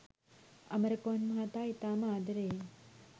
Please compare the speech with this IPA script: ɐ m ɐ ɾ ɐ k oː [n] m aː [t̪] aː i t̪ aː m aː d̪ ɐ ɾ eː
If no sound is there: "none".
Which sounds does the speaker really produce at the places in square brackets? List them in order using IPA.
n, t̪

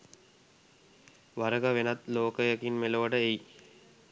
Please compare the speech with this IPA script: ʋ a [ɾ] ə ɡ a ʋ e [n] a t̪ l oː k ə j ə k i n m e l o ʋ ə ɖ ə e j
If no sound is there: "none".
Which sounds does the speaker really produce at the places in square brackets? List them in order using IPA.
ɾ, n

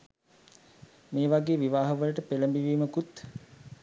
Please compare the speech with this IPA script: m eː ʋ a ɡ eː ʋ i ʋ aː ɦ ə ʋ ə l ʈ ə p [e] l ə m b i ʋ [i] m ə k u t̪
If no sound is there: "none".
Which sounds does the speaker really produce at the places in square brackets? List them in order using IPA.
e, iː

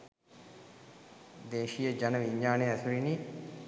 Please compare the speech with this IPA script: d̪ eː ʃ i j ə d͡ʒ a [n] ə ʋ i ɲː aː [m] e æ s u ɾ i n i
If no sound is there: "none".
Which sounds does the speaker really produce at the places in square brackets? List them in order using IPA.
n, n

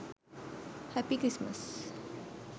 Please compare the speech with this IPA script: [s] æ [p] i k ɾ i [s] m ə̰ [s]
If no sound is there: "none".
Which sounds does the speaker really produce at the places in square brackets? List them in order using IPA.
h, p, s, s

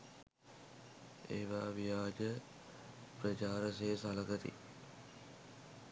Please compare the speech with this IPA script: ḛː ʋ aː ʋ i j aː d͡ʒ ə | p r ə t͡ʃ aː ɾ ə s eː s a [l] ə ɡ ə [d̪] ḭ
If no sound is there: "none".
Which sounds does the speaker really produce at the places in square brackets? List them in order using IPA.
l, t̪

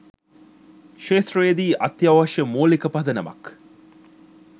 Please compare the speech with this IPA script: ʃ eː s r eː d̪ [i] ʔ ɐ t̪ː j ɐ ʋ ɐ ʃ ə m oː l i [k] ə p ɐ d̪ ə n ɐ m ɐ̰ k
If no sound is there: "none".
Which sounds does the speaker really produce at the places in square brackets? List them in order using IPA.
iː, k

